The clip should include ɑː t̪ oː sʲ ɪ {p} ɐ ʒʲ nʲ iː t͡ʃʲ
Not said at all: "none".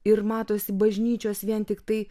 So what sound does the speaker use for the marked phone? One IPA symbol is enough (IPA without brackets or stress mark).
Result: b